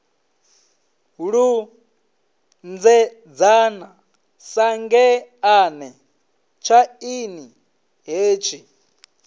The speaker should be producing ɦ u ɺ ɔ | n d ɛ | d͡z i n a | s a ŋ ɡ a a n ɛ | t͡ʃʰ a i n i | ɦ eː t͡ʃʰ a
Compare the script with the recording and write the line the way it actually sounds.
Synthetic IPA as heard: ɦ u ɺ u | n d͡z ɛ | d͡z a n a | s a ŋ ɡ ɛ a n ɛ | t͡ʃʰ a i n i | ɦ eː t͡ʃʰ i